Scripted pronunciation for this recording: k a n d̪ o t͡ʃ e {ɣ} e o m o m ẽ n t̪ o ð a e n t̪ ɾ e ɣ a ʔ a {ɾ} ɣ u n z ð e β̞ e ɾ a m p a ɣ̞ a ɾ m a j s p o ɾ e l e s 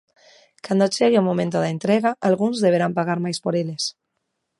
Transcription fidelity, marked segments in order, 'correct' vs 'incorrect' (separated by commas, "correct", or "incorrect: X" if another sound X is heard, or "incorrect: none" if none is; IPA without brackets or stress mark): correct, incorrect: l